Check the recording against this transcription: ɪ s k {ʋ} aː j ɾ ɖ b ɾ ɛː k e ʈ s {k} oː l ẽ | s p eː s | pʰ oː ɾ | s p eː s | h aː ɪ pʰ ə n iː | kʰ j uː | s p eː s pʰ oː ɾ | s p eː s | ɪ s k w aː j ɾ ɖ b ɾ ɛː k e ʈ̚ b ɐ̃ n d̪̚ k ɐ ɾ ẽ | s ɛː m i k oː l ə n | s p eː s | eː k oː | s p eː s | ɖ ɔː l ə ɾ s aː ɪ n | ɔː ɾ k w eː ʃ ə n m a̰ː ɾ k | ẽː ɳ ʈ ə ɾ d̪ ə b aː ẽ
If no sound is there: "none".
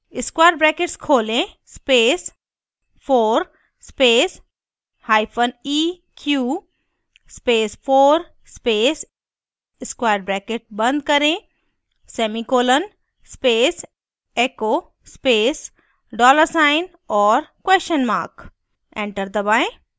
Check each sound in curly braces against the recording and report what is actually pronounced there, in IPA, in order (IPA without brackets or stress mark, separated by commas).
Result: w, kʰ